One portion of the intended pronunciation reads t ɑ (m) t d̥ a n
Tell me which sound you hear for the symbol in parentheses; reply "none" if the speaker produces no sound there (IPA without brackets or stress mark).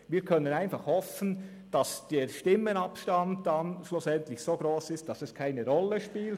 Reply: n